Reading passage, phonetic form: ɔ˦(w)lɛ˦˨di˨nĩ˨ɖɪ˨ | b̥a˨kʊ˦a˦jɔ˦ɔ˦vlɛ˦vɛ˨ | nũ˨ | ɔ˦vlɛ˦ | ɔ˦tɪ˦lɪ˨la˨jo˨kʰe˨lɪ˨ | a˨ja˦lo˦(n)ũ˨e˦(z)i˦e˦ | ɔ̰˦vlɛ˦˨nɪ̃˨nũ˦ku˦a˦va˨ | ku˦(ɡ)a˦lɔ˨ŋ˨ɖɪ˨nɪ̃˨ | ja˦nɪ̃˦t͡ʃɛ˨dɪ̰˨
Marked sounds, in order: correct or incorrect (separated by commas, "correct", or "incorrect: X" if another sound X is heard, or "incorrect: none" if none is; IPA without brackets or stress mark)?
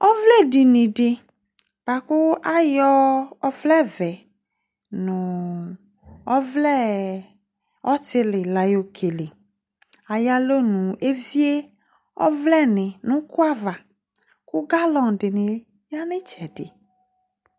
incorrect: v, correct, incorrect: v, correct